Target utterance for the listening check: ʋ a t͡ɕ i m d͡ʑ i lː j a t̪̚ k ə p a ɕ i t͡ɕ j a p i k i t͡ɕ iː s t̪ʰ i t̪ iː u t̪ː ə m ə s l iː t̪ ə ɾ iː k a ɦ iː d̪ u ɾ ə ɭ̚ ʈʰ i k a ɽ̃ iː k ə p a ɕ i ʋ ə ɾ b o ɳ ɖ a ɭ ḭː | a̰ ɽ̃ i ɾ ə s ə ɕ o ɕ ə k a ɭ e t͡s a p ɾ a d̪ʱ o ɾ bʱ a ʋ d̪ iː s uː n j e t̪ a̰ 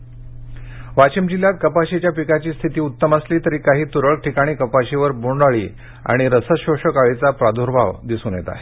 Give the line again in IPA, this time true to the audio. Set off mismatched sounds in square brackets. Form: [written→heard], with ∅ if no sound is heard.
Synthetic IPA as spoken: ʋ a t͡ɕ i m d͡ʑ i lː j a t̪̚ k ə p a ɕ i t͡ɕ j a p i k [i→a] t͡ɕ iː s t̪ʰ i t̪ iː u t̪ː ə m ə s l iː t̪ ə ɾ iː k a ɦ iː [d̪→t̪] u ɾ ə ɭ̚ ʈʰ i k a ɽ̃ iː k ə p a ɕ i ʋ ə ɾ b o ɳ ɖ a ɭ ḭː | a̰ ɽ̃ i ɾ ə s ə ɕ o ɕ ə k a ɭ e t͡s a p ɾ a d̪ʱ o ɾ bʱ a ʋ d̪ [iː→i] s uː n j e t̪ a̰